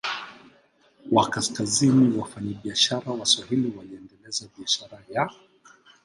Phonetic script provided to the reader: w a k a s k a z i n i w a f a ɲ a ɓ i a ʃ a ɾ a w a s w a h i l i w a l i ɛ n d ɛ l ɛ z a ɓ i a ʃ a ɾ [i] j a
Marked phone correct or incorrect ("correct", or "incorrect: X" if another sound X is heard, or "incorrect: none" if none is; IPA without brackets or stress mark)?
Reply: incorrect: a